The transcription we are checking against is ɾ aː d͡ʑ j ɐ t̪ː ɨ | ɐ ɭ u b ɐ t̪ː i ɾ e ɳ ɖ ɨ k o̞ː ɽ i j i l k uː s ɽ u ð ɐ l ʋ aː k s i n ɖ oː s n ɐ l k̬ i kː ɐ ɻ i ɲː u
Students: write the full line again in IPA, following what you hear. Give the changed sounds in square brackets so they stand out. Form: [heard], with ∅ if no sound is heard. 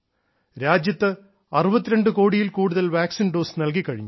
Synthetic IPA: ɾ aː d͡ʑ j ɐ t̪ː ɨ | ɐ [r] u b ɐ t̪ː i ɾ e ɳ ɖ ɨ k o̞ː ɽ i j i l k uː [∅] ɽ u ð ɐ l ʋ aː k s i n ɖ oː s n ɐ l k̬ i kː ɐ ɻ i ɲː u